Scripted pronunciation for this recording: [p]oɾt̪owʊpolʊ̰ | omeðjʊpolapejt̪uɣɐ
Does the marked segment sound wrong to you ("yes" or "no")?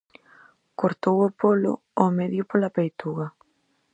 yes